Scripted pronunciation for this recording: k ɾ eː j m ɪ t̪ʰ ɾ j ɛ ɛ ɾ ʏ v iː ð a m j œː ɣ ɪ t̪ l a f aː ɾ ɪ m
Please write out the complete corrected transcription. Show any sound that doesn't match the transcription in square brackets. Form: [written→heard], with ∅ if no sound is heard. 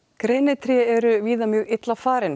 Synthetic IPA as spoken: k ɾ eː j [m→n] ɪ t̪ʰ ɾ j ɛ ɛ ɾ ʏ v iː ð a m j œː ɣ ɪ t̪ l a f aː ɾ ɪ [m→n]